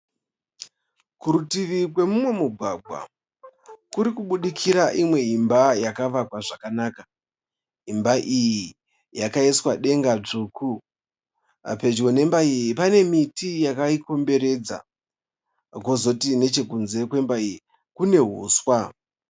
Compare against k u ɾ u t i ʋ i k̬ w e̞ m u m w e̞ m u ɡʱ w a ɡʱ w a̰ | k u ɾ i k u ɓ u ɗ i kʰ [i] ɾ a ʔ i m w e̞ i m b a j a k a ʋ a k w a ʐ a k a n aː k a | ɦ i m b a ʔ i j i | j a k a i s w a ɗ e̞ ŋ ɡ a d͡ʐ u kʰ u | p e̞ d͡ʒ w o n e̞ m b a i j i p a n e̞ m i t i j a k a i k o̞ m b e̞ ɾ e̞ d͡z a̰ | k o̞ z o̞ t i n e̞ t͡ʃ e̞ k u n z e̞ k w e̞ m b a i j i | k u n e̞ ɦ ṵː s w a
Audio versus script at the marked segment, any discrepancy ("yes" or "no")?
no